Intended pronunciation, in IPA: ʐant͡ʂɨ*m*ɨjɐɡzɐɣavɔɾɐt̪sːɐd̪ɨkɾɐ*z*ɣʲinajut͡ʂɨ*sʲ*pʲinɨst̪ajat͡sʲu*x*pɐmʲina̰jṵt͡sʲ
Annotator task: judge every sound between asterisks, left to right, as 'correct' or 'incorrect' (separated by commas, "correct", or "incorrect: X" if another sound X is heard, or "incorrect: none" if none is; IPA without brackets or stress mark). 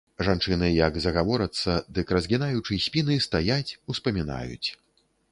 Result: incorrect: n, correct, correct, incorrect: s